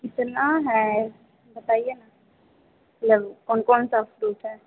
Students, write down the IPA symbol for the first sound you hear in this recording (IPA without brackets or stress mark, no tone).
k